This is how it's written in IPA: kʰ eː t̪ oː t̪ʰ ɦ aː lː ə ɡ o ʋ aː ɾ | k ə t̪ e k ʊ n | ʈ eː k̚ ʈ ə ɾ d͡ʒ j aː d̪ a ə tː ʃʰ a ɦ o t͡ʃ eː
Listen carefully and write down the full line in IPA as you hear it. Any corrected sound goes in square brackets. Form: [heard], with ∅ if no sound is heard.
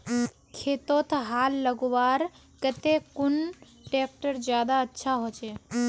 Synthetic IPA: kʰ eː t̪ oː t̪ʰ ɦ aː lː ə ɡ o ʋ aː ɾ | k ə t̪ e k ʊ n | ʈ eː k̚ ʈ ə ɾ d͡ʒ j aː d̪ a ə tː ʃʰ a ɦ o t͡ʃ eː